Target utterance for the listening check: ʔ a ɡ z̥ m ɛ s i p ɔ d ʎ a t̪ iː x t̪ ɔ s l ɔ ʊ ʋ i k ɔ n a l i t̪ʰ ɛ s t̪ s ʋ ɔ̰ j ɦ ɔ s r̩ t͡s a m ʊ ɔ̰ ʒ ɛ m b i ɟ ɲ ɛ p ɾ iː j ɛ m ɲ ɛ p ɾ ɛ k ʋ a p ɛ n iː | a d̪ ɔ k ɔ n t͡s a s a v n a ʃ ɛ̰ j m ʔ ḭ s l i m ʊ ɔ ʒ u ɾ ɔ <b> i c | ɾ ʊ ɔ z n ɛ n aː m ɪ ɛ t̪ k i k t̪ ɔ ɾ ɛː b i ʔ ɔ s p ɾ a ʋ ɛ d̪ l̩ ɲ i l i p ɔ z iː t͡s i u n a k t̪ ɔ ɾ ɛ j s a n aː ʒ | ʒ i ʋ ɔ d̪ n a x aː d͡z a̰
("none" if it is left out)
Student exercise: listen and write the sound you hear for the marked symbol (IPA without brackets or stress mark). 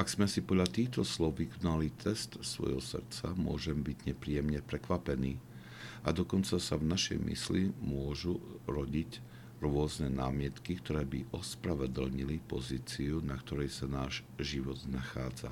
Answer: ɟ